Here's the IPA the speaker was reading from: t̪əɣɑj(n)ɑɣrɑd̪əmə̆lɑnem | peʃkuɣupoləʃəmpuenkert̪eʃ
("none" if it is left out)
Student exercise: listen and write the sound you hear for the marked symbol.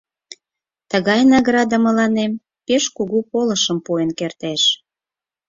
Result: n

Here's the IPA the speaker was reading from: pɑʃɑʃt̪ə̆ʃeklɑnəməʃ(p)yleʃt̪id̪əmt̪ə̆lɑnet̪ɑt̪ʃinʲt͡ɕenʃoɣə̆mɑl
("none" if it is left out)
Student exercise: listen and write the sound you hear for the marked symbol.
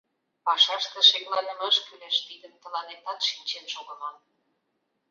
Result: k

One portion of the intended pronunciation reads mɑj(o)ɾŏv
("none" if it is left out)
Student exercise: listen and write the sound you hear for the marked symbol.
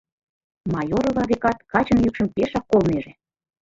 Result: o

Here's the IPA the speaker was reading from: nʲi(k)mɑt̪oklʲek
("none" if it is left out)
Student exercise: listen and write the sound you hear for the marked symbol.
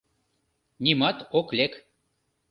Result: none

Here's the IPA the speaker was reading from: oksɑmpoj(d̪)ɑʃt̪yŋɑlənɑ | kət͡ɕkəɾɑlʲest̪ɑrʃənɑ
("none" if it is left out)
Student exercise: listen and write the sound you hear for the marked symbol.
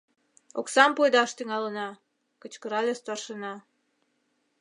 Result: d̪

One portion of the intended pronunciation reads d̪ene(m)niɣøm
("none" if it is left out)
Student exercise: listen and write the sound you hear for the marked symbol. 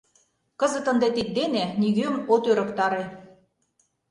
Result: none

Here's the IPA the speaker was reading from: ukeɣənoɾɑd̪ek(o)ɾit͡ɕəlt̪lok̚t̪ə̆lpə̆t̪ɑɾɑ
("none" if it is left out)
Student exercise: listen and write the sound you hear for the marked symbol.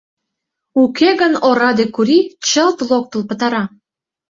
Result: u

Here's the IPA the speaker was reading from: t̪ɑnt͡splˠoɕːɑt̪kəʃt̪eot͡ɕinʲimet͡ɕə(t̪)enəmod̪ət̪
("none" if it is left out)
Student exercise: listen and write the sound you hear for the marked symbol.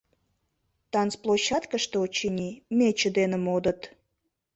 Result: d̪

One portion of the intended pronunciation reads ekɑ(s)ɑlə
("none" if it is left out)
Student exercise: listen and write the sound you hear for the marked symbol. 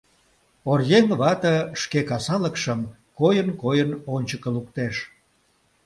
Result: s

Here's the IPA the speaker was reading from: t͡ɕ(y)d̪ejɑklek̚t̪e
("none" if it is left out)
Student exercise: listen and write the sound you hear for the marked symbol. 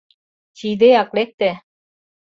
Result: i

